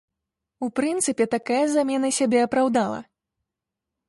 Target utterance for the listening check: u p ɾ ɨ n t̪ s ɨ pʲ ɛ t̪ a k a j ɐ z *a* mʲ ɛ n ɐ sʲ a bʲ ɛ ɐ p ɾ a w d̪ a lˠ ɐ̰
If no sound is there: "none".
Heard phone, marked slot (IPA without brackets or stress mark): a